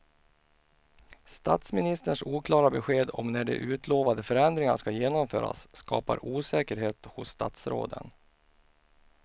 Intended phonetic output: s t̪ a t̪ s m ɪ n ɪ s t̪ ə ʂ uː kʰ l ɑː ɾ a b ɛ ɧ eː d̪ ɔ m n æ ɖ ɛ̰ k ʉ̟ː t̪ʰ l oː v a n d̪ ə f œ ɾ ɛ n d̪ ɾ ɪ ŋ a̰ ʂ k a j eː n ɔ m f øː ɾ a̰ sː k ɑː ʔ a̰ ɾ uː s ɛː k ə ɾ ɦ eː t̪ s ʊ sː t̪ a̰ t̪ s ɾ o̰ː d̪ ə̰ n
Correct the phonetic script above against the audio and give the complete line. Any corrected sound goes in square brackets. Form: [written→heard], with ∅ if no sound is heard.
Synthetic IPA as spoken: s t̪ a t̪ s m ɪ n ɪ s t̪ ə ʂ uː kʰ l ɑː ɾ a b ɛ ɧ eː d̪ ɔ m n æ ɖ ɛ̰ [k→ʔ] ʉ̟ː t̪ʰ l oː v a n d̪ ə f œ ɾ ɛ n d̪ ɾ ɪ ŋ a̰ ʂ k a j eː n ɔ m f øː ɾ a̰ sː k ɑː [ʔ→p] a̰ ɾ uː s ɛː k ə ɾ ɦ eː t̪ [s→h] ʊ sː t̪ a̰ t̪ s ɾ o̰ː d̪ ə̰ n